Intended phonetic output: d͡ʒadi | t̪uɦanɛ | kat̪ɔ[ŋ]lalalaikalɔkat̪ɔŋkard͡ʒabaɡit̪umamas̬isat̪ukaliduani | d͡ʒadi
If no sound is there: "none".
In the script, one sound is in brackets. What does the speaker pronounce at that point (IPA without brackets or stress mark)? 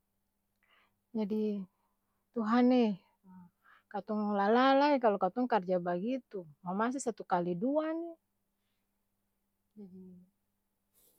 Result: ŋ